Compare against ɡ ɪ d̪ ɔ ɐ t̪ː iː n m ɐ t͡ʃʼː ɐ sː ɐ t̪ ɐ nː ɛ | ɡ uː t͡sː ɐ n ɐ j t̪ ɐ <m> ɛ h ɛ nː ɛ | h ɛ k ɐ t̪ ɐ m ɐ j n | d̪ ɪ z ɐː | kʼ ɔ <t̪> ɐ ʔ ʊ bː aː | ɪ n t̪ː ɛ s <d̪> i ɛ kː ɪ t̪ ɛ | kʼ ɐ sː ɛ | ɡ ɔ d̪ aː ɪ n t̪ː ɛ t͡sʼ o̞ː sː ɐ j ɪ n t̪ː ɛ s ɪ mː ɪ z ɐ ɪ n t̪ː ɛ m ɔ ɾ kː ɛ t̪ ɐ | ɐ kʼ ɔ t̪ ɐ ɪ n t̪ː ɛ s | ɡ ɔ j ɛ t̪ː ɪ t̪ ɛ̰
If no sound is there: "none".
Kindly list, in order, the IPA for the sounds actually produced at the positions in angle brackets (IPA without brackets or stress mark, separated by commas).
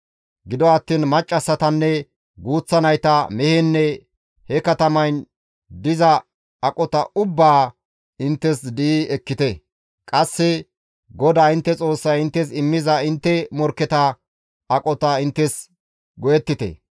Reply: m, t̪, d̪